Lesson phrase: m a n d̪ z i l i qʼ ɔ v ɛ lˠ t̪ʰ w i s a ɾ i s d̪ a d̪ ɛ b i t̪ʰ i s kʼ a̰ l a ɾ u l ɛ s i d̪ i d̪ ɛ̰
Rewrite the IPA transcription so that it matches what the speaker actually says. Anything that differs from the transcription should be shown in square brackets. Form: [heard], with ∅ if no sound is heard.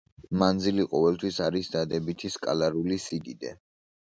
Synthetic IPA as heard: m a n d̪ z i l i qʼ ɔ v ɛ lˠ t̪ʰ w i s a ɾ i s d̪ a d̪ ɛ b i t̪ʰ i s kʼ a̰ l a ɾ u l [i] s i d̪ i d̪ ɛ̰